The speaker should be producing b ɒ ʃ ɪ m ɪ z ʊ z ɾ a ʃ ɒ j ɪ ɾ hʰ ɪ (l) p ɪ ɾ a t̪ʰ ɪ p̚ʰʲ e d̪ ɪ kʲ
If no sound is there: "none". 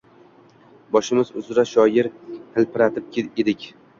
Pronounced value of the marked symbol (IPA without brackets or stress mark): l